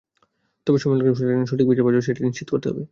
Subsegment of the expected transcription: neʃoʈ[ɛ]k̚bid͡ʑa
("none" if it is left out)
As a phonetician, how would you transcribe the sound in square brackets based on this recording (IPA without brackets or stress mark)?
i